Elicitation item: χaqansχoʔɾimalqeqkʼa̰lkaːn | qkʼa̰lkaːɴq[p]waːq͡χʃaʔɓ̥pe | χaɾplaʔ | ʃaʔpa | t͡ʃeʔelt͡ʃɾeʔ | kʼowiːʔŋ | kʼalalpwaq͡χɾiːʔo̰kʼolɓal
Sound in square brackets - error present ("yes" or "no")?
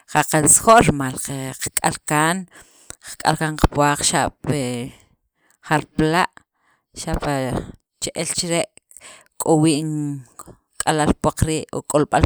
no